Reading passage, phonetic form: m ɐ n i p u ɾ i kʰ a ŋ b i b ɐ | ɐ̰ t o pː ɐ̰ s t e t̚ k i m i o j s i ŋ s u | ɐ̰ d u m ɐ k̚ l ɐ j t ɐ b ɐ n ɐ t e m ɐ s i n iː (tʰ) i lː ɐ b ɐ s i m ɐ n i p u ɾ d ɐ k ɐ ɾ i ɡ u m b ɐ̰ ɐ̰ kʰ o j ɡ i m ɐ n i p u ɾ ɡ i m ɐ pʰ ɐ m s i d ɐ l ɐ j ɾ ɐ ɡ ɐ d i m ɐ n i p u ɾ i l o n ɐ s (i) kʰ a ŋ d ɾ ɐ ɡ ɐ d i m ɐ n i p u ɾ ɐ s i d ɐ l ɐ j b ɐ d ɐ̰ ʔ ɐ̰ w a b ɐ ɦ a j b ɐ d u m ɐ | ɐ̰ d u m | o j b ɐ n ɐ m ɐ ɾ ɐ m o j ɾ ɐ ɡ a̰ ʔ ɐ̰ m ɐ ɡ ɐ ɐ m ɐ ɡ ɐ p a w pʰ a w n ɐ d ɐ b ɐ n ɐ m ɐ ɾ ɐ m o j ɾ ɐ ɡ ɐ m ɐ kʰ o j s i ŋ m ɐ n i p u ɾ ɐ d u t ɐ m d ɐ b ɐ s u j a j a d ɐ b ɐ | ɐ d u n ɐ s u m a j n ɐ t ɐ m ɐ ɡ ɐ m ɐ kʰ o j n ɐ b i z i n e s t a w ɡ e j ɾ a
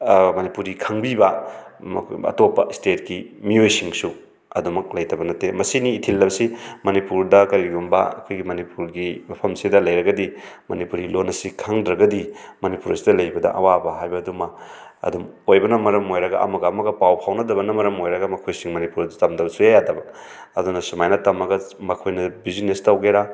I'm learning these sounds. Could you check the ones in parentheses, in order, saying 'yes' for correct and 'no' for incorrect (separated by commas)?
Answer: yes, yes